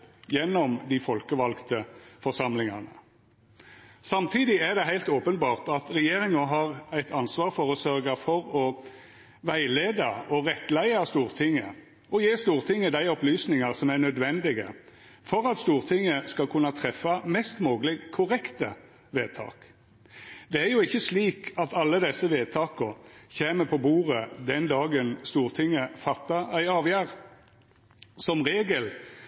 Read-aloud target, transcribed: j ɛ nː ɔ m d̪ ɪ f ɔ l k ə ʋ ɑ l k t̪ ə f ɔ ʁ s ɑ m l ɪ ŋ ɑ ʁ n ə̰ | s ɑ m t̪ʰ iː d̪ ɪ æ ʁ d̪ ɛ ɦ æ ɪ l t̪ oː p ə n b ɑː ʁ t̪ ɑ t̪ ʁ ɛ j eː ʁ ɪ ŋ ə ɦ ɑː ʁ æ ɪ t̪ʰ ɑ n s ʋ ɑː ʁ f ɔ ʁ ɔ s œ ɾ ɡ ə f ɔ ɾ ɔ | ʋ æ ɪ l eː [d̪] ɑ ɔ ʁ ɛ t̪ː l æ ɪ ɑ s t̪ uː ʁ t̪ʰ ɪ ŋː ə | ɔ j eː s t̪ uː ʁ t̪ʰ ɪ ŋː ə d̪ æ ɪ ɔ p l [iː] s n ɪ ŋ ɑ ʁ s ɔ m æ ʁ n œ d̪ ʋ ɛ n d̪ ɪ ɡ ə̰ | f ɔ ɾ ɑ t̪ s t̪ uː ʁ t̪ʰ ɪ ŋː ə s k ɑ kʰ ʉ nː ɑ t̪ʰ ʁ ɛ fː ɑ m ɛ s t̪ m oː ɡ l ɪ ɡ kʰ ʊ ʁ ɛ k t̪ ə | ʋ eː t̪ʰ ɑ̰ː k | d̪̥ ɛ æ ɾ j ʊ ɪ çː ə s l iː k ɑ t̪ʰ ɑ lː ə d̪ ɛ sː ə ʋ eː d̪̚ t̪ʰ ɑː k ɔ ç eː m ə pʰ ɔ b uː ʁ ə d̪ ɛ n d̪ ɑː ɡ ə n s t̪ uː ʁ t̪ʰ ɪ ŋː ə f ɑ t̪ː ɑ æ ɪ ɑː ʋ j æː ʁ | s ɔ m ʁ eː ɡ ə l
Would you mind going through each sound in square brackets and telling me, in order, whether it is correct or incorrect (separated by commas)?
correct, incorrect